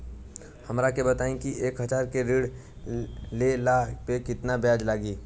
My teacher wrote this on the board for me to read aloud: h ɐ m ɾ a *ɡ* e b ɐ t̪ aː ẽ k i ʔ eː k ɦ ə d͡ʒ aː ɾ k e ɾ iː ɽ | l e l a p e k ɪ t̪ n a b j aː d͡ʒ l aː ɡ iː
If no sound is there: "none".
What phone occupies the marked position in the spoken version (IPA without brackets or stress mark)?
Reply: k